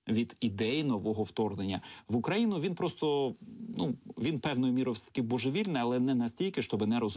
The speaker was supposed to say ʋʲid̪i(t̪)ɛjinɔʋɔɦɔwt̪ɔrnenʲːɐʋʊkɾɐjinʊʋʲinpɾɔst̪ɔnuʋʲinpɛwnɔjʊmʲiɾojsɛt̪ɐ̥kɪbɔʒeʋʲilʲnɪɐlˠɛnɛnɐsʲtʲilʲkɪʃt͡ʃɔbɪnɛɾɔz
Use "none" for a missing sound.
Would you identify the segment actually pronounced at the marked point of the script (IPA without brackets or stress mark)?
d̪